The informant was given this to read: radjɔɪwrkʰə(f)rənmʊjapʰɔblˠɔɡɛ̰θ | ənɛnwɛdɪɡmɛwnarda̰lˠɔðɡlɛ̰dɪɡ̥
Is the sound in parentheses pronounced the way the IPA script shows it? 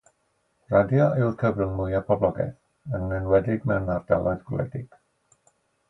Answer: no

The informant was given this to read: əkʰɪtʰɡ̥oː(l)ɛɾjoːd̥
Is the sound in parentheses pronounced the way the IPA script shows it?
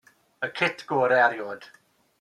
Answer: no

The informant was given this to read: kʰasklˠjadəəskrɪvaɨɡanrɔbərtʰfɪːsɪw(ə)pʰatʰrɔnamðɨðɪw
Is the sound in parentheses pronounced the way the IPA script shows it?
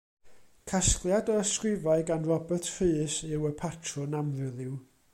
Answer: yes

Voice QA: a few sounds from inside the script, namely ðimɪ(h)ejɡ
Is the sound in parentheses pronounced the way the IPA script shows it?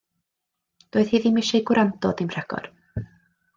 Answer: no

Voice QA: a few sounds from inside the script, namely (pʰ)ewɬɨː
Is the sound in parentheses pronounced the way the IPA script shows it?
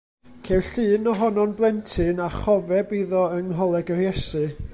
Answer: no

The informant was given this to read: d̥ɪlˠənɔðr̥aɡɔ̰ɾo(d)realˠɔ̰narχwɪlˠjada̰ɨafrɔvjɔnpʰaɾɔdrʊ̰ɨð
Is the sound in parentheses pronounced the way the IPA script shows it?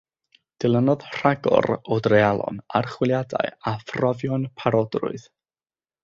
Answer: yes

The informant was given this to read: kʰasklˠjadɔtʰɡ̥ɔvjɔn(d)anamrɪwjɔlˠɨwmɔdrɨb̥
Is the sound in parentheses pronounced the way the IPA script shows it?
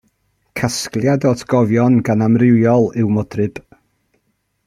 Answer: no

